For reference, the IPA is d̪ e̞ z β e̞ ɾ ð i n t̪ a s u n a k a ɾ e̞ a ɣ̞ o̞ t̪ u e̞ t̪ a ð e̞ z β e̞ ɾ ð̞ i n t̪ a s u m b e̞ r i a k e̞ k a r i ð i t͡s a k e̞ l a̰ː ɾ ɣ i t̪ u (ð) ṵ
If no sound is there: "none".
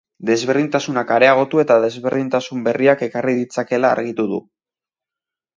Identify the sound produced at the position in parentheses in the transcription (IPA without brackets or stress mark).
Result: ð